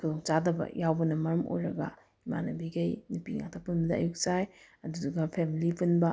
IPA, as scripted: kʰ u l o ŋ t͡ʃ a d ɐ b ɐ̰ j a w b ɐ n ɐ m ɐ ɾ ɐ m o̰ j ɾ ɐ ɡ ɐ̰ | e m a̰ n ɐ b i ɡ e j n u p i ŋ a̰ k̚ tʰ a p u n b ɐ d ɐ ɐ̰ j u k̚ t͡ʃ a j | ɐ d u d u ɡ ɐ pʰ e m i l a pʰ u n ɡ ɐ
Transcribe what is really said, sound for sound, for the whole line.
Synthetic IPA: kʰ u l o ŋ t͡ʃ a d ɐ b ɐ̰ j a w b ɐ n ɐ m ɐ ɾ ɐ m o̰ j ɾ ɐ ɡ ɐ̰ | i m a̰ n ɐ b i ɡ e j n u p i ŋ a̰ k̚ tʰ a p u n b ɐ d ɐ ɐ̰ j u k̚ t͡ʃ a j | ɐ d u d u ɡ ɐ pʰ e m i l i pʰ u n b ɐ

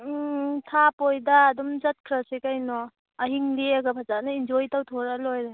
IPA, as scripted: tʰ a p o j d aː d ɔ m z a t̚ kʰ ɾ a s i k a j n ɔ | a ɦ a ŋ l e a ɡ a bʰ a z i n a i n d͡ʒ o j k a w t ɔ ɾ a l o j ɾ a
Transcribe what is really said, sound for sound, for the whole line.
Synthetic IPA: tʰ a p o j d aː d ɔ m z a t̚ kʰ ɾ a s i k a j n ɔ | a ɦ i ŋ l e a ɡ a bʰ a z a n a i n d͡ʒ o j t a w tʰ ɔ ɾ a l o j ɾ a

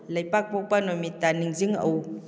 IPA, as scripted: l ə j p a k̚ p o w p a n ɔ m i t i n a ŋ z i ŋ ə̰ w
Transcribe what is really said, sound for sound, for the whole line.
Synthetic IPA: l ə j p a k̚ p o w p a n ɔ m i t a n i ŋ z i ŋ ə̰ w

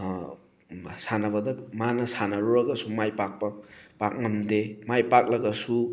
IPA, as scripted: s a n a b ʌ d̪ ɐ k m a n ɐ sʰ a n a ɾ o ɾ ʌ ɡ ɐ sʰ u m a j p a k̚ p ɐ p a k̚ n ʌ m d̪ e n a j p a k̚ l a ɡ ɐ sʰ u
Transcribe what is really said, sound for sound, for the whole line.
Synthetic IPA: s a n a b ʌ d̪ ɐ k m a n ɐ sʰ a n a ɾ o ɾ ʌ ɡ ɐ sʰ u m a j p a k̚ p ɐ p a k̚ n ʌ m d̪ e m a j p a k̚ l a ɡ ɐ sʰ u

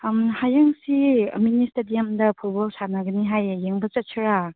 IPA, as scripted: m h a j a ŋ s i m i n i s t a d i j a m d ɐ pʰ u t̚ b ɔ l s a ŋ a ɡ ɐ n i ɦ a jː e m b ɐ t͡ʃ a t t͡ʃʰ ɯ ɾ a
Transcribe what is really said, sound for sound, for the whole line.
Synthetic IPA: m h a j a ŋ s i m i n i s t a d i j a m d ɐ pʰ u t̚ b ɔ l s a n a ɡ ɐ n i ɦ a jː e ŋ b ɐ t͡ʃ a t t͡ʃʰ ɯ ɾ a

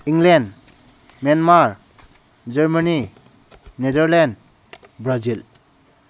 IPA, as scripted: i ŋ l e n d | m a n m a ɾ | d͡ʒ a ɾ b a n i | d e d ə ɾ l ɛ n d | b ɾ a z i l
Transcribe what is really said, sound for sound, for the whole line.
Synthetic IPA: i ŋ l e n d | m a n m a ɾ | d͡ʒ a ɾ m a n i | n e d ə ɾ l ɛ n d | b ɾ a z i l

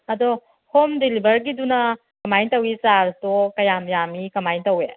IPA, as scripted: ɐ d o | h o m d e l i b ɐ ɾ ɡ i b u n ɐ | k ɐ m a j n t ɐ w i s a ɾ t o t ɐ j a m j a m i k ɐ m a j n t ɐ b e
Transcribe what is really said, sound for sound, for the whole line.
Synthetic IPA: ɐ d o | h o m d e l i b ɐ ɾ ɡ i d u n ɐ | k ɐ m a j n t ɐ w i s a ɾ t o k ɐ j a m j a m i k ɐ m a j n t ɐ w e

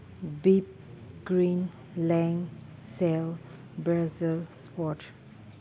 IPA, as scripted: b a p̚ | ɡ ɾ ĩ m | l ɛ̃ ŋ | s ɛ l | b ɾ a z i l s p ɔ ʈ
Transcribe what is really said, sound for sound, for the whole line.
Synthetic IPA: b i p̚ | ɡ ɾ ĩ n | l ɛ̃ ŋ | s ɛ l | b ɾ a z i l s p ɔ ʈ

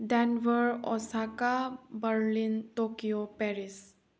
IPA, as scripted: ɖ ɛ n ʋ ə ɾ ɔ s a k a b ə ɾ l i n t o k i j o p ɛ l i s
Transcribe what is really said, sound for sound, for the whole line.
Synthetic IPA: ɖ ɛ n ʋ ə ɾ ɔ s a k a b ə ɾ l i n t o k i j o p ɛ ɾ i s

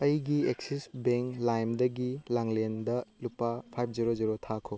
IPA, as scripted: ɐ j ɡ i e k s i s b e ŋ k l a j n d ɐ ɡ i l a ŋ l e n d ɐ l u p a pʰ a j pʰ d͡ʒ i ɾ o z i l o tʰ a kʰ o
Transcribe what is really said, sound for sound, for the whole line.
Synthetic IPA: ɐ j ɡ i e k s i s b e ŋ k l a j m d ɐ ɡ i l a ŋ l e n d ɐ l u p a pʰ a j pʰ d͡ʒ i ɾ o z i ɾ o tʰ a kʰ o

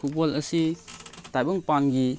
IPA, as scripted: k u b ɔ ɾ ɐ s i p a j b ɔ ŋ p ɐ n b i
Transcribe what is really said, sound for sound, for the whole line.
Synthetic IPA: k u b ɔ l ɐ s i t a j b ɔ ŋ p a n ɡ i

